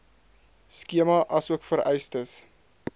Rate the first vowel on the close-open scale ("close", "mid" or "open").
close